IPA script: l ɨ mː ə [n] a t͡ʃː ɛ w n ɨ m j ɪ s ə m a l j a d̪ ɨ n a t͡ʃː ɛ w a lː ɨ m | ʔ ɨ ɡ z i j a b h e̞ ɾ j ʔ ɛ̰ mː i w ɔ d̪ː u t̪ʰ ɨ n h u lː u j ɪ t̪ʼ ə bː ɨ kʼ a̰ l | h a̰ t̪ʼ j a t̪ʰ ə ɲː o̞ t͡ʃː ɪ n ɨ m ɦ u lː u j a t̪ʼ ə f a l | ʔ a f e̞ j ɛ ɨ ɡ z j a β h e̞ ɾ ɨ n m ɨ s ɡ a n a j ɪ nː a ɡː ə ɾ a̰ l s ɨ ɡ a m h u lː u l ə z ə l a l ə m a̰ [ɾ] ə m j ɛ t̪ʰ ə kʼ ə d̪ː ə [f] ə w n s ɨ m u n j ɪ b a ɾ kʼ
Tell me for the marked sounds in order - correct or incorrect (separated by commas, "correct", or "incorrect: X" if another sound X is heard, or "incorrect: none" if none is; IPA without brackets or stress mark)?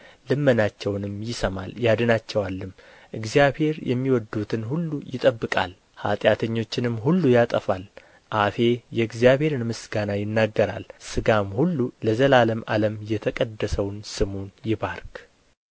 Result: correct, incorrect: l, incorrect: s